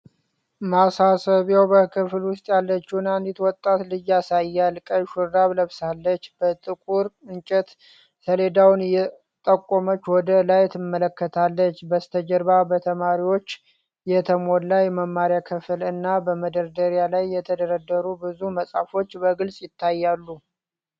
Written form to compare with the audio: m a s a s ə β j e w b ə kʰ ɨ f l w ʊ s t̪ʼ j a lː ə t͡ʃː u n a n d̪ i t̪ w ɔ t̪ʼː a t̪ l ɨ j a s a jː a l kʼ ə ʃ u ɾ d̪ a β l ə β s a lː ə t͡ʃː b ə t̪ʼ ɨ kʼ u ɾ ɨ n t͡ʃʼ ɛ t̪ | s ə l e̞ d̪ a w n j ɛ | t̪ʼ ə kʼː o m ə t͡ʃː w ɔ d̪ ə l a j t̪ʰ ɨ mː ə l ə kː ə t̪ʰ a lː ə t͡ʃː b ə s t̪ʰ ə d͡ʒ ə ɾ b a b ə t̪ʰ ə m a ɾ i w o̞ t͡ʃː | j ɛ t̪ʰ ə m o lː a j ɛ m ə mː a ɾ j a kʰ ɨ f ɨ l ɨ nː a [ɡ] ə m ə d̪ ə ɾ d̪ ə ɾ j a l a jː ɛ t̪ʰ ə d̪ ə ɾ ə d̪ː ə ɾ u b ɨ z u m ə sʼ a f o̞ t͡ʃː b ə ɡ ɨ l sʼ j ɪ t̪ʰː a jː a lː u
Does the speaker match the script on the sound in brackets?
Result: no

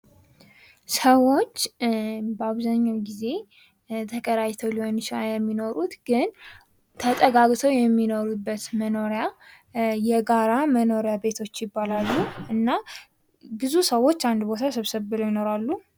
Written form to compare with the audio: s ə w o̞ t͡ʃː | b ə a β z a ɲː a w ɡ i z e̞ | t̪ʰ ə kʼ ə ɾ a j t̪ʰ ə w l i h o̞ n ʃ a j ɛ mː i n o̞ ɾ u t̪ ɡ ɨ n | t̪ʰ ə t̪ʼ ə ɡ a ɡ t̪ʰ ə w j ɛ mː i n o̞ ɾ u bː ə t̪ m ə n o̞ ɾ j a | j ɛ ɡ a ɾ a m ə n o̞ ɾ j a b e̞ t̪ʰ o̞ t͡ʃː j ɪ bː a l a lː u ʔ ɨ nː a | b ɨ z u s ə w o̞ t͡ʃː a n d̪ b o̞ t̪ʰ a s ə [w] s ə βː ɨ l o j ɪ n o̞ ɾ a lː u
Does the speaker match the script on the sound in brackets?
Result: no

